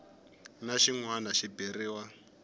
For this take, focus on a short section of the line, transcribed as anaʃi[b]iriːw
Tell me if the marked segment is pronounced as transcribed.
yes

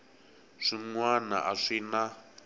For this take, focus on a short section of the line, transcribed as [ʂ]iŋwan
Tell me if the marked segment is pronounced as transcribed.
yes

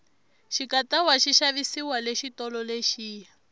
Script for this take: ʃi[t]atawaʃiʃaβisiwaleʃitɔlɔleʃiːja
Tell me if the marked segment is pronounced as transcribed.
no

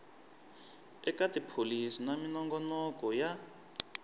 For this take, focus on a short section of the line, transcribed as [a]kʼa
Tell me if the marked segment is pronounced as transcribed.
no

